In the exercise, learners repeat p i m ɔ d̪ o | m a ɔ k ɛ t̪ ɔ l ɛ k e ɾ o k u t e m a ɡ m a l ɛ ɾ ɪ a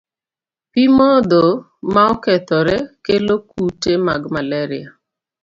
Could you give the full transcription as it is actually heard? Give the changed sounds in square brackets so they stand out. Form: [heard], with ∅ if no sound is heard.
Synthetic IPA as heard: p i m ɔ d̪ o | m a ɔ k ɛ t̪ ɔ [ɾ] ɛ k e [l] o k u t e m a ɡ m a l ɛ ɾ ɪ a